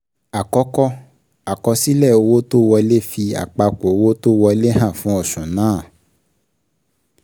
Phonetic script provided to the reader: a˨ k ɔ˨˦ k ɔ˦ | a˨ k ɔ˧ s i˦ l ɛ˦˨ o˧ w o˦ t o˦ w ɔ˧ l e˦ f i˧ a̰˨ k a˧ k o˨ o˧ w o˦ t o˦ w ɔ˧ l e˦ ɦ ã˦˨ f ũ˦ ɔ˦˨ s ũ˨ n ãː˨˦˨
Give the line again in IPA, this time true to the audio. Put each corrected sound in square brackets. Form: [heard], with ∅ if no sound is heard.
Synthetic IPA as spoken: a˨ k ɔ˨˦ k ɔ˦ | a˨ k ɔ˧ s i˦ l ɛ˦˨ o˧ w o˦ t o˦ w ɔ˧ l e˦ f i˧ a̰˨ [k͡p] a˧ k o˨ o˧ w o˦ t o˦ w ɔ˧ l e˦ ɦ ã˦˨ f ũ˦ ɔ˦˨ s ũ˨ n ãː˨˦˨